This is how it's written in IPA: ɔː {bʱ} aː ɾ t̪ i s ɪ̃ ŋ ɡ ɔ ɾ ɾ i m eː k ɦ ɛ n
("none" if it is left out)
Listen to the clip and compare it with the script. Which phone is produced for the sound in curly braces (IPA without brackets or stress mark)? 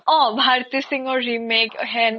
bʱ